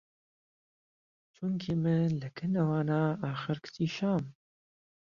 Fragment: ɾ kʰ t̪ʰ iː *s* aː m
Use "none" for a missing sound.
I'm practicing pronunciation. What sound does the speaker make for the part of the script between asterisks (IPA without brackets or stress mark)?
ʃ